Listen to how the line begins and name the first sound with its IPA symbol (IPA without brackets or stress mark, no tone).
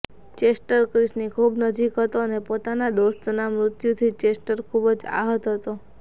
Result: t͡ʃ